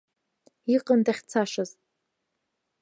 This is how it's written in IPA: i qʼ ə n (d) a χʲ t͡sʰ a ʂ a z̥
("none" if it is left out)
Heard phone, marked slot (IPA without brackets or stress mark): d